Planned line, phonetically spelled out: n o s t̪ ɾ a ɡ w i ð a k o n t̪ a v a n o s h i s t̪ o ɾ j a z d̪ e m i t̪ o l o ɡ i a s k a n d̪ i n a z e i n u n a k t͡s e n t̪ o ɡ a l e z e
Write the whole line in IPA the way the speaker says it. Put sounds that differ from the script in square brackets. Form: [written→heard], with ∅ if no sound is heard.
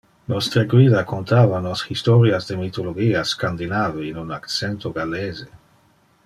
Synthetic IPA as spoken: n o s t̪ ɾ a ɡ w i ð a k o n t̪ a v a n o s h i s t̪ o ɾ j a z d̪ e m i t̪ o l o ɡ i a s k a n d̪ i n a [z→v] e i n u n a k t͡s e n t̪ o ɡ a l e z e